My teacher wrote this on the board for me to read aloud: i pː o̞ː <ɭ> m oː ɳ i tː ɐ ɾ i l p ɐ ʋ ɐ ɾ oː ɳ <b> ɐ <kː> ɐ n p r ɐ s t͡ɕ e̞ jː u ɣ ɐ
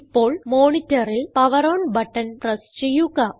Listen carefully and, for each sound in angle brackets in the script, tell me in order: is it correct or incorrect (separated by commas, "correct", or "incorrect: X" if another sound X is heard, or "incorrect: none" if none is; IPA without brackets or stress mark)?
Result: correct, correct, incorrect: ʈː